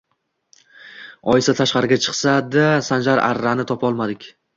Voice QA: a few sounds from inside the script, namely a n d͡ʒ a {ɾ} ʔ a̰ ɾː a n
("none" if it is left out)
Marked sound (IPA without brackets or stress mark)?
ɾ